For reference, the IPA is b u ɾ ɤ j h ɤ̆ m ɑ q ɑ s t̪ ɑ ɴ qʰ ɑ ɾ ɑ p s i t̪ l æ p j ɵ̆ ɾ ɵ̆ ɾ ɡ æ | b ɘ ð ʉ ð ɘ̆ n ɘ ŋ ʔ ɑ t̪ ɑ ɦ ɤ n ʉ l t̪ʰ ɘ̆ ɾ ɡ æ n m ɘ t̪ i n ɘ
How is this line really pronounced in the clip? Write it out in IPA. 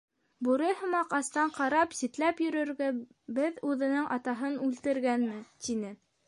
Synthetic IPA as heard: b u ɾ ɤ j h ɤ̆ m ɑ q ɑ s t̪ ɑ ɴ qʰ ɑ ɾ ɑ p s i t̪ l æ p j ɵ̆ ɾ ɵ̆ ɾ ɡ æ | b ɘ ð ʉ ð ɘ̆ n ɘ ŋ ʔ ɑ t̪ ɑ ɦ ɤ n ʉ l t̪ ɘ̆ ɾ ɡ æ n m ɘ t̪ i n ɘ